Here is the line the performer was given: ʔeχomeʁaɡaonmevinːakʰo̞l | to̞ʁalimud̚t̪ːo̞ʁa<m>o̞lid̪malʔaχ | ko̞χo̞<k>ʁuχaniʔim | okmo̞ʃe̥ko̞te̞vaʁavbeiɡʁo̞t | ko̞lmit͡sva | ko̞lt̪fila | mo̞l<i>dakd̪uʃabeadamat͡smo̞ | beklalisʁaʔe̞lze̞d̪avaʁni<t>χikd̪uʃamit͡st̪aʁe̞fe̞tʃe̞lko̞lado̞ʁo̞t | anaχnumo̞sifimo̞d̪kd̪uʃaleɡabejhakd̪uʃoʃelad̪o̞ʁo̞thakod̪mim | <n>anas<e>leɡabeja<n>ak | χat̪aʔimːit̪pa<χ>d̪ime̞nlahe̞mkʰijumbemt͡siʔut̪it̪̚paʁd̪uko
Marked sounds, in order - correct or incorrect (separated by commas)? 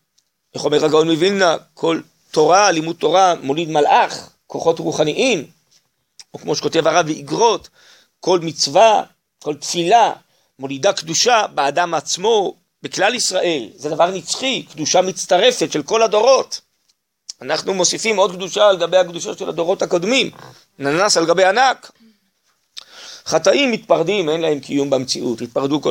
correct, incorrect, correct, incorrect, correct, incorrect, correct, incorrect